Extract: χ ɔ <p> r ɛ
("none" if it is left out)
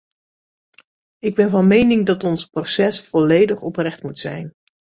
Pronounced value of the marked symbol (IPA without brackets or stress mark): p